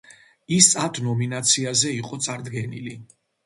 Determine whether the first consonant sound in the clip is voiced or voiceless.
voiceless